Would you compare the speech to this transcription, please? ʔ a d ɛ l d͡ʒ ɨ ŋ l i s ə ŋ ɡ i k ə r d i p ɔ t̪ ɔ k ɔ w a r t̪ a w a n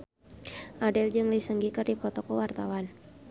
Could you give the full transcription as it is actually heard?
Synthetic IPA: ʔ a d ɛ l d͡ʒ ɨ ŋ l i s ə ŋ ɡ i k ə r d i p ɔ t̪ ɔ k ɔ w a r t̪ a w a n